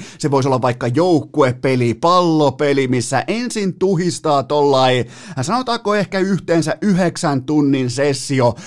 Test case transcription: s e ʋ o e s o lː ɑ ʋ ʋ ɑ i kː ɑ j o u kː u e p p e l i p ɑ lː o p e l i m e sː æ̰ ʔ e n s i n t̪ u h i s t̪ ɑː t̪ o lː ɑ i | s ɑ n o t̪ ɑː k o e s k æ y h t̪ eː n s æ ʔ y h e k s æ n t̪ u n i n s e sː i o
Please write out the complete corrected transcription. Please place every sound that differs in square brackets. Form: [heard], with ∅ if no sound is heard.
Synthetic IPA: s e ʋ o [i] s o lː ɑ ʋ ʋ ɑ i kː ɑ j o u kː u e p p e l i p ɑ lː o p e l i m [i] sː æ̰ ʔ e n s i n t̪ u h i s t̪ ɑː t̪ o lː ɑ i | s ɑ n o t̪ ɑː k o e [h] k æ y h t̪ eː n s æ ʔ y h e k s æ n t̪ u [nː] i n s e sː i o